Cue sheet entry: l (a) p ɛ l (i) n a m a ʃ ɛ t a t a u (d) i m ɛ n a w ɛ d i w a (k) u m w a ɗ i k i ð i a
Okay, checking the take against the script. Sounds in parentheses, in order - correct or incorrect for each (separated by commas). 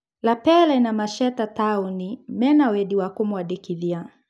correct, incorrect, incorrect, correct